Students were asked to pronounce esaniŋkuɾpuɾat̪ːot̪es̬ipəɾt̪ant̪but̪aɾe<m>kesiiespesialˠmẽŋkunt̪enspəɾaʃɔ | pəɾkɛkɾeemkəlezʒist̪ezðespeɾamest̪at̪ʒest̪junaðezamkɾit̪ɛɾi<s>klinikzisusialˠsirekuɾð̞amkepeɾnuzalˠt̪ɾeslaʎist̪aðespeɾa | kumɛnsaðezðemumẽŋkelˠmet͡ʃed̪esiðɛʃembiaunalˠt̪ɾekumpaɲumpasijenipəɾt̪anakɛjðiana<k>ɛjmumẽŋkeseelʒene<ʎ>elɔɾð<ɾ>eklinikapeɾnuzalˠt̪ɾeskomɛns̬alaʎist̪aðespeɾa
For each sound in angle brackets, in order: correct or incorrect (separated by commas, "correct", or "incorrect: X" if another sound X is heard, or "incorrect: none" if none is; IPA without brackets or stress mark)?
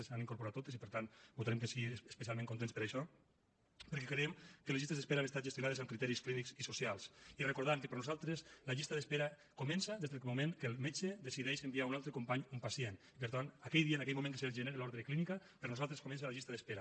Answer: correct, correct, correct, incorrect: ɾ, correct